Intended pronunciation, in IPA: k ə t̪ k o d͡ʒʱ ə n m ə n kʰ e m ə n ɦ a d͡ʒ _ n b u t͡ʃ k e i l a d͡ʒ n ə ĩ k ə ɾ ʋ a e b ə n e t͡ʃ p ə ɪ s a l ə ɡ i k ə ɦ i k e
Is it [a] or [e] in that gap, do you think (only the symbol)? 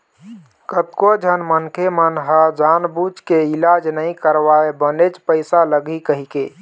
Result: a